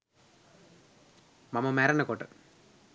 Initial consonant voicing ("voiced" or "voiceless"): voiced